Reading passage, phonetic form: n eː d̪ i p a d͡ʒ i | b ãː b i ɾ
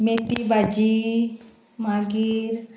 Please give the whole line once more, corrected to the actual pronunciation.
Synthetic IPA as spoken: m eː t̪ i b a d͡ʒ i | m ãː ɡ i ɾ